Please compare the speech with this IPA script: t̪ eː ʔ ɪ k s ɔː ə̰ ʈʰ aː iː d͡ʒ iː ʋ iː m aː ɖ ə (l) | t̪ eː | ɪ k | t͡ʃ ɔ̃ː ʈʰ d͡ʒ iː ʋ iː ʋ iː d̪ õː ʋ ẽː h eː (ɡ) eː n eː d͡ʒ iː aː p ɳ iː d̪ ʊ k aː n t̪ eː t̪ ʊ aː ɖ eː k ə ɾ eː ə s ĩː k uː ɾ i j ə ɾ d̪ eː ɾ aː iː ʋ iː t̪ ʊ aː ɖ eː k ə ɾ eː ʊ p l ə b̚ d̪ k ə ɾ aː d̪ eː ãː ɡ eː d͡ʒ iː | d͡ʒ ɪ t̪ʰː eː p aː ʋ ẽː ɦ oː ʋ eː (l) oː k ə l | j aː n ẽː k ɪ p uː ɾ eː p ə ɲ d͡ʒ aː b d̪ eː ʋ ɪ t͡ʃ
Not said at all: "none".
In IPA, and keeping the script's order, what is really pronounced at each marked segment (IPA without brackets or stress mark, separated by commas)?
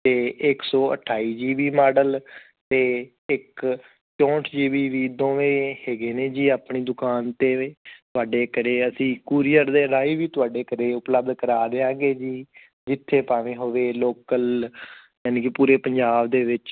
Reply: l, ɡ, l